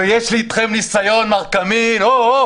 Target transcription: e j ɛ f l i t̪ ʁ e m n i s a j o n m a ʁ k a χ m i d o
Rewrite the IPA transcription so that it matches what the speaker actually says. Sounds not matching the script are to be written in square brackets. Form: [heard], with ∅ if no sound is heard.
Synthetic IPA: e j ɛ [ʃ] l i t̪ [χ] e m n i s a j o n m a ʁ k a [∅] m i [n] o